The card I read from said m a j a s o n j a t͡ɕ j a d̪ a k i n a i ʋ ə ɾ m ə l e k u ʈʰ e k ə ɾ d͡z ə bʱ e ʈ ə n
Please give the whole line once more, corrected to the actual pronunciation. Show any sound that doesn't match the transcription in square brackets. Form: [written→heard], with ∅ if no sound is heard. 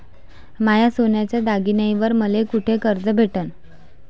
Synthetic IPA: m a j a s o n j a t͡ɕ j a d̪ a [k→ɡ] i n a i ʋ ə ɾ m ə l e k u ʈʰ e k ə ɾ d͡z ə bʱ e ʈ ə n